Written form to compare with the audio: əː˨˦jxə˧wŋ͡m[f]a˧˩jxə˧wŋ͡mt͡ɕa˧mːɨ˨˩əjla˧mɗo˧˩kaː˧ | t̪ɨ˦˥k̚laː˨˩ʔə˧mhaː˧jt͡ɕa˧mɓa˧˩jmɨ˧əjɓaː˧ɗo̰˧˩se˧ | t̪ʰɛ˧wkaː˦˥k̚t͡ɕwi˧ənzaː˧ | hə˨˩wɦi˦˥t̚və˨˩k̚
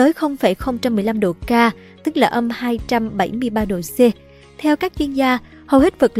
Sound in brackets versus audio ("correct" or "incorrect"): correct